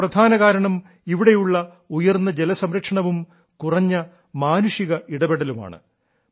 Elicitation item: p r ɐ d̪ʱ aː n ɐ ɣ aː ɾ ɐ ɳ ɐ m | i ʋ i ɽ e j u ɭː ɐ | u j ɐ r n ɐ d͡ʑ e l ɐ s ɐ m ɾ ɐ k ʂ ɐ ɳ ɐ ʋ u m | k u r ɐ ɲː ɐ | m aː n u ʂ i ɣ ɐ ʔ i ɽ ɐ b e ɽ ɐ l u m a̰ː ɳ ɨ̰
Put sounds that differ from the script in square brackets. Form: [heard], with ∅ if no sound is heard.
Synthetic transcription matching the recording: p r ɐ d̪ʱ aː n ɐ ɣ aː ɾ ɐ ɳ ɐ m | i ʋ i ɽ e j u ɭː ɐ | u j ɐ r [nː] ɐ d͡ʑ e l ɐ s ɐ m ɾ ɐ k ʂ ɐ ɳ ɐ ʋ u m | k u r ɐ ɲː ɐ | m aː n u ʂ i ɣ ɐ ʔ i ɽ ɐ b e ɽ ɐ l u m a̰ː ɳ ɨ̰